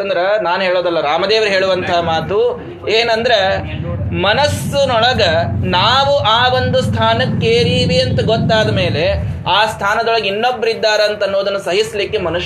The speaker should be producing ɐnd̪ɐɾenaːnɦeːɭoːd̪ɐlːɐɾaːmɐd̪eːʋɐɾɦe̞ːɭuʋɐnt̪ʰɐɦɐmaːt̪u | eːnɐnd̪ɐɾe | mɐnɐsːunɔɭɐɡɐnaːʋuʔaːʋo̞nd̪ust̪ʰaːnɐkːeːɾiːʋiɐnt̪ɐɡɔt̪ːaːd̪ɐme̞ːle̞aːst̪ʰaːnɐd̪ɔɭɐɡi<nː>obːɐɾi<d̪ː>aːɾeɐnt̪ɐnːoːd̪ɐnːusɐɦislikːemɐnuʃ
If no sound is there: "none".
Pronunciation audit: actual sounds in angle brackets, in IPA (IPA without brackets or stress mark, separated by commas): nː, d̪ː